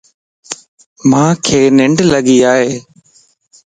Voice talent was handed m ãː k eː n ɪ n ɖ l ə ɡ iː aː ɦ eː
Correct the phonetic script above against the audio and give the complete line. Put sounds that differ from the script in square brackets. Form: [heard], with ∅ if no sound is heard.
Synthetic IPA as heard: m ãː [kʰ] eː n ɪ [ɳ] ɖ l ə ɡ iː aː ɦ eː